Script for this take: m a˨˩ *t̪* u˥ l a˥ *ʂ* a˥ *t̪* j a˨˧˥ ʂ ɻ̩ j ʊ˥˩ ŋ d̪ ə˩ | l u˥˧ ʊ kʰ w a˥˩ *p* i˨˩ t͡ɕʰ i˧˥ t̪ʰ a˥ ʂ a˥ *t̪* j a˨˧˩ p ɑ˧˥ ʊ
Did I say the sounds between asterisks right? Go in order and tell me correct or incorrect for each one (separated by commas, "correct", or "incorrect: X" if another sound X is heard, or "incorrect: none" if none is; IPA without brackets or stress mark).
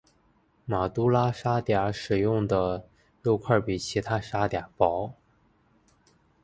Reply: correct, correct, correct, correct, correct